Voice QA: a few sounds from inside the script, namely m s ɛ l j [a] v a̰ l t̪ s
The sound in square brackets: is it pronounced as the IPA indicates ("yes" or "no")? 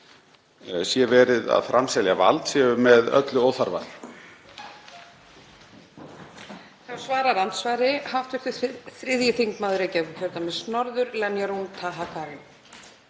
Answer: yes